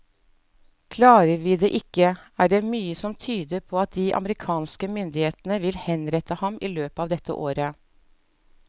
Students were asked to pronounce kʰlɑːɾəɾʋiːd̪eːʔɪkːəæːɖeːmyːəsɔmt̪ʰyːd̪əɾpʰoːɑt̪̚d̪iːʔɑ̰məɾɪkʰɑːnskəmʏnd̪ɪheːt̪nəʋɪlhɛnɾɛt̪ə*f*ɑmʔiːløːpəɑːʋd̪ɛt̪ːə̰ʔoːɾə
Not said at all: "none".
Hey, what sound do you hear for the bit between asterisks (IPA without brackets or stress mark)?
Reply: h